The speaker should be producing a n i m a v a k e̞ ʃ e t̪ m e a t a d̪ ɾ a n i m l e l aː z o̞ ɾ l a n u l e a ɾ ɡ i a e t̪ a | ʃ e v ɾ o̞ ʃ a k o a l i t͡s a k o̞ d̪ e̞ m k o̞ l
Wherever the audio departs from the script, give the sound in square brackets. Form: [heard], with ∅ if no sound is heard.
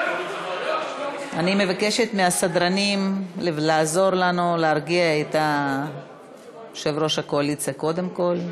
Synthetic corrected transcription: a n i m [e] v a k e̞ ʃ e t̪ m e a [s] a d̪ ɾ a n i m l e l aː z o̞ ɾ l a n u l e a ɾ ɡ i a e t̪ a | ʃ e v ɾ o̞ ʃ a k o a l i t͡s a k o̞ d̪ e̞ m k o̞ l